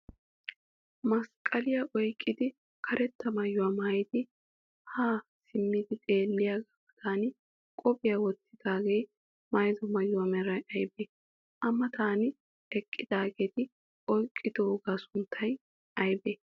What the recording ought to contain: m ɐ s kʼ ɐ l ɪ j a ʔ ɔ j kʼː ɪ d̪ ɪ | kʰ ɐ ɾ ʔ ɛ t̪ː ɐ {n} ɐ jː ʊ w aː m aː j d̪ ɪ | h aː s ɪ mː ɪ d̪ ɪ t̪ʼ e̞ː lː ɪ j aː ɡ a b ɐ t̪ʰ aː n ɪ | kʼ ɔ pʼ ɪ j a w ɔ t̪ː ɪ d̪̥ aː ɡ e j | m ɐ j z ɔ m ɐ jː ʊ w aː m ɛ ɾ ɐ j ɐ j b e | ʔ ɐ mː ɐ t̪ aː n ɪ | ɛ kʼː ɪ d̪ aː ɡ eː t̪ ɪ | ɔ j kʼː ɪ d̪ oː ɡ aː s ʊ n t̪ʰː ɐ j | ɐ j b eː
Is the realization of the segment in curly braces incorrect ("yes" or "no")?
yes